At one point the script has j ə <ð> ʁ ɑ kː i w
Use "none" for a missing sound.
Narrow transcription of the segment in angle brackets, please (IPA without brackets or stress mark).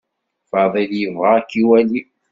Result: v